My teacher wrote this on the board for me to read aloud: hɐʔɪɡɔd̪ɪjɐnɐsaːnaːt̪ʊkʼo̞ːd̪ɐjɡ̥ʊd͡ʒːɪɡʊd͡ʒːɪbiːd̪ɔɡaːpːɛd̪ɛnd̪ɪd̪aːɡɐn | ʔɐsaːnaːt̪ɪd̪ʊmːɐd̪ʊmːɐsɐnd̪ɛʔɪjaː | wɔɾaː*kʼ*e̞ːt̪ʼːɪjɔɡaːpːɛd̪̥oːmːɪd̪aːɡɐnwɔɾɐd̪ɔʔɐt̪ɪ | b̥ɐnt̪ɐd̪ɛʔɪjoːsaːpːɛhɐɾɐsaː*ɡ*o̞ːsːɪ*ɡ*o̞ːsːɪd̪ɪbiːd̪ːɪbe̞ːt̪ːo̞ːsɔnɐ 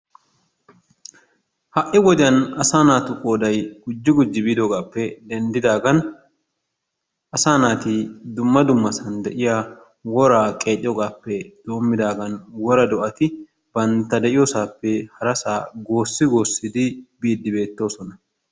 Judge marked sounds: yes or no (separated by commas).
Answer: yes, yes, yes